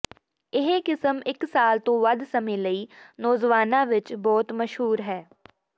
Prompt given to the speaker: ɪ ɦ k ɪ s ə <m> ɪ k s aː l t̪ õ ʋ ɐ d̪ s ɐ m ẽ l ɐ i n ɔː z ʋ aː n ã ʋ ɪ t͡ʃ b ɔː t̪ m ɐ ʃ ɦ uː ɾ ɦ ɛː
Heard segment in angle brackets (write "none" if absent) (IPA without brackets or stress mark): m